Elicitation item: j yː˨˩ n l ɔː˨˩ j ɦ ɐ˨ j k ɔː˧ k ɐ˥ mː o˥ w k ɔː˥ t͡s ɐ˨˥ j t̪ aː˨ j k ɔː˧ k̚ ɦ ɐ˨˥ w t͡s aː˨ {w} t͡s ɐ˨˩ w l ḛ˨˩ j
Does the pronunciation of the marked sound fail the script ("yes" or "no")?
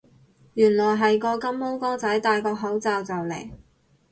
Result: no